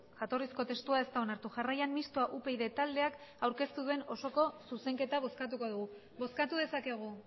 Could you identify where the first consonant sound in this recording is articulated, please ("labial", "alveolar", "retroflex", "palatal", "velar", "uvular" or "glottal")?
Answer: palatal